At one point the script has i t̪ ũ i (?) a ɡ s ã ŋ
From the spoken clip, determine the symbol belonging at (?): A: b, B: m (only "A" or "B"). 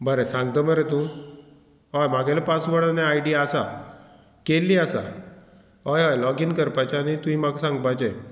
B